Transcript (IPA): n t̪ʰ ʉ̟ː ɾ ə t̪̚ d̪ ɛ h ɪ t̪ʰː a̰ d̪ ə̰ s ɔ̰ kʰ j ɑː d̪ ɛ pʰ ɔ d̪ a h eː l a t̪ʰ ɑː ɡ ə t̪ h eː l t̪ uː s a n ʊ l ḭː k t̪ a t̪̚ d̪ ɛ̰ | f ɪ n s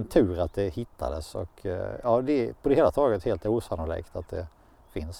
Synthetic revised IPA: n t̪ʰ ʉ̟ː ɾ a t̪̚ d̪ ɛ h ɪ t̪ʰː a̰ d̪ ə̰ s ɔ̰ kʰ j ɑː d̪ ɛ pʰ ɔ d̪ ɛ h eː l a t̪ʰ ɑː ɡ ə t̪ h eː l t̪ uː s a n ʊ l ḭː k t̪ a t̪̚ d̪ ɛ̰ | f ɪ n s